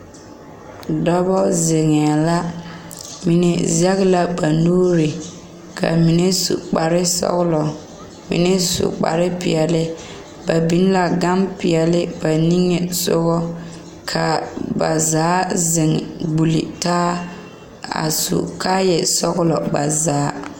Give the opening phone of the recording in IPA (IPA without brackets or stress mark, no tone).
d